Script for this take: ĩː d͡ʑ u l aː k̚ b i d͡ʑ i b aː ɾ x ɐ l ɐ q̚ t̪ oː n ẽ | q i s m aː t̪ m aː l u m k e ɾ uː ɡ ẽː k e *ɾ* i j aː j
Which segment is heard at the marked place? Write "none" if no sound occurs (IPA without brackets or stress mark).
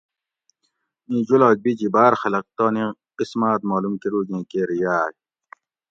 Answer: ɾ